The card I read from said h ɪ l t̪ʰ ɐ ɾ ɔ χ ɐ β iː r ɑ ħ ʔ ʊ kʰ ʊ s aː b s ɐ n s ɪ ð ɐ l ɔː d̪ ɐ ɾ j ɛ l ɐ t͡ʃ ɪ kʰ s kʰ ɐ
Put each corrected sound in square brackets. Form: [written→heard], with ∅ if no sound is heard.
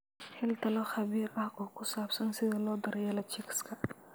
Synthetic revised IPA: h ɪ l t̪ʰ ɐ [ɾ→l] ɔ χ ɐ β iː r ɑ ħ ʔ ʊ kʰ ʊ s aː b s ɐ n s ɪ ð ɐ l ɔː d̪ ɐ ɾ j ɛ l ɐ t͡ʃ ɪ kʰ s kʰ ɐ